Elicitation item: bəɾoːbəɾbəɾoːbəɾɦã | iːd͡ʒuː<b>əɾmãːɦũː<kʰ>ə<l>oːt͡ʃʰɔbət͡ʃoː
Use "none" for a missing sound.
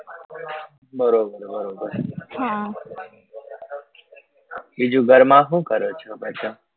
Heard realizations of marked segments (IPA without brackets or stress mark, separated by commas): ɡ, k, ɾ